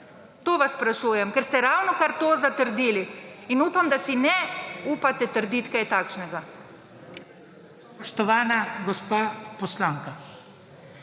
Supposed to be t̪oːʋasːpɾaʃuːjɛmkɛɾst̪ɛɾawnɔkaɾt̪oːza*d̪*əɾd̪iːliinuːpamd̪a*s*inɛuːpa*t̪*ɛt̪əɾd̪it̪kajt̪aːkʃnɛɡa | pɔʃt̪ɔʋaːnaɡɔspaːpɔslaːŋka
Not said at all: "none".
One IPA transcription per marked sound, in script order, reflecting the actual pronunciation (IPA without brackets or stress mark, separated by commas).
t̪, s, t̪